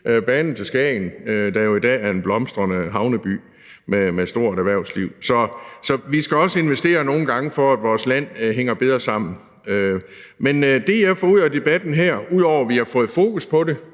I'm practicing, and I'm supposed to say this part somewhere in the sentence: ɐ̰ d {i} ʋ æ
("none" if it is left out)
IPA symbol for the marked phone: æ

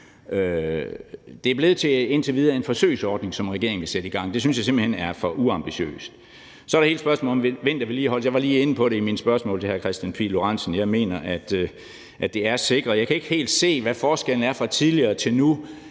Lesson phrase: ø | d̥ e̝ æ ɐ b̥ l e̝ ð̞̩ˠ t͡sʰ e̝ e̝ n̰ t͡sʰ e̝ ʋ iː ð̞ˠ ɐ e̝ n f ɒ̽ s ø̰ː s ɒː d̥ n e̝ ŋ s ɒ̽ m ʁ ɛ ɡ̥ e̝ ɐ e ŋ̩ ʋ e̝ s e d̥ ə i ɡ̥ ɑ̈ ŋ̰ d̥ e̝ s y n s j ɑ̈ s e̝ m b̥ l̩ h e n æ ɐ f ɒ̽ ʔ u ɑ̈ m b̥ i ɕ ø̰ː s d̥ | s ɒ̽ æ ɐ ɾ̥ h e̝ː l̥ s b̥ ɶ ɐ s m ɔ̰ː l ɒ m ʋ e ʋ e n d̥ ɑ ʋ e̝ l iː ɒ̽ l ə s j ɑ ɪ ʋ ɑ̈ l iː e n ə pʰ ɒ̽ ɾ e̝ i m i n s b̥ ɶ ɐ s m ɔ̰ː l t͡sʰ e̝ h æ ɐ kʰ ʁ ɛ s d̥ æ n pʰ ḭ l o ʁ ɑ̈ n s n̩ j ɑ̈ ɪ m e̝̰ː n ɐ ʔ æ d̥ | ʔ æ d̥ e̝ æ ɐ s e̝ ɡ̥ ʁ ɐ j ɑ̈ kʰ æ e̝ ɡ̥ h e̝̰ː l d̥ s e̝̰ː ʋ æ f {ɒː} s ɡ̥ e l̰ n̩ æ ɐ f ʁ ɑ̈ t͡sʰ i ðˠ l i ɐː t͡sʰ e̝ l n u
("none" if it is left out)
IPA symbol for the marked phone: ɒː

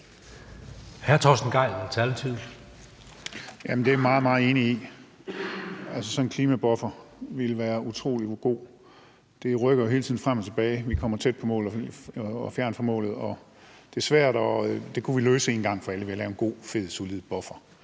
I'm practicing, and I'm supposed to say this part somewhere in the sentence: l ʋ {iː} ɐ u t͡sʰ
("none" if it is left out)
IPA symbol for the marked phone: æː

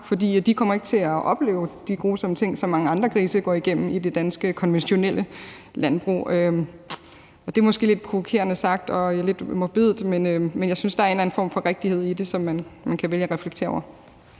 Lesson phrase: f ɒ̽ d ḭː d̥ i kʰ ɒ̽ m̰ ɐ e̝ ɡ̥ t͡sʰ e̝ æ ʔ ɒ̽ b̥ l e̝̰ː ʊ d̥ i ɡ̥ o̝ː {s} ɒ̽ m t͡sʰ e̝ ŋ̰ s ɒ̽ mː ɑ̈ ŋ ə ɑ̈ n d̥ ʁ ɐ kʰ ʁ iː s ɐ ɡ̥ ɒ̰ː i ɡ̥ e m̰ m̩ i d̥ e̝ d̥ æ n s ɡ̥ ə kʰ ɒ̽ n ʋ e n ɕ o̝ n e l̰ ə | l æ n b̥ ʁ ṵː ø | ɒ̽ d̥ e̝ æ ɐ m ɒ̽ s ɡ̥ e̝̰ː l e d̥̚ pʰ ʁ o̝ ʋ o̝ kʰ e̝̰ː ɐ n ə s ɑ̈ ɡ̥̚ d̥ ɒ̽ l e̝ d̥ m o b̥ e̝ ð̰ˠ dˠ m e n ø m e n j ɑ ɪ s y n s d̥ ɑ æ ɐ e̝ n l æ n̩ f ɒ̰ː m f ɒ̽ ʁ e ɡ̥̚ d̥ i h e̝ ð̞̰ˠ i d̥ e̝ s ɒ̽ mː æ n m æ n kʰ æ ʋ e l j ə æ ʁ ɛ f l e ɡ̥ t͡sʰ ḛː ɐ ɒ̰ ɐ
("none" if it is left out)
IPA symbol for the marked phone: s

